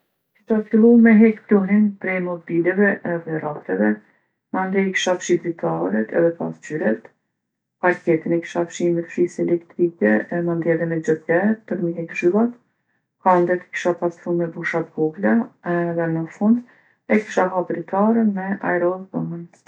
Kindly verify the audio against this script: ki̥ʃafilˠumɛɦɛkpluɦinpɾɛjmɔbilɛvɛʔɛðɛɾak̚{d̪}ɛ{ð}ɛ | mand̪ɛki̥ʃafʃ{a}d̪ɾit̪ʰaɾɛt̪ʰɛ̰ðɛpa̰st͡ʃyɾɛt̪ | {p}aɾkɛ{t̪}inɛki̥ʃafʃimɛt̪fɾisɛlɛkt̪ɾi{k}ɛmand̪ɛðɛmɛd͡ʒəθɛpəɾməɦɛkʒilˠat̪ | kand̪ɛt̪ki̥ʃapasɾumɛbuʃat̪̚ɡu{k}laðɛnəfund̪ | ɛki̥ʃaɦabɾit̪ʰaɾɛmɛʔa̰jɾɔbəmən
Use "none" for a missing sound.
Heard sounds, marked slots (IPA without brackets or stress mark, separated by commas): t̪, v, i, p, t̪, k, ɡ